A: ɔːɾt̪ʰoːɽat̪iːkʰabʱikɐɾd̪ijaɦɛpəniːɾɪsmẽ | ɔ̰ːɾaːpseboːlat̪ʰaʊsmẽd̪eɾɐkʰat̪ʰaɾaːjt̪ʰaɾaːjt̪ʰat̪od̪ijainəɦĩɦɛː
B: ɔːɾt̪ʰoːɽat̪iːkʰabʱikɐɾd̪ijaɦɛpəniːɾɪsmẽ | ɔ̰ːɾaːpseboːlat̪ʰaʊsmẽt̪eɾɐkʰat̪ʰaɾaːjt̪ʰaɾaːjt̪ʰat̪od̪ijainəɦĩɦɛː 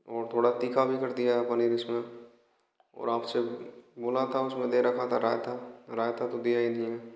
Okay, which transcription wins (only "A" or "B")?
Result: A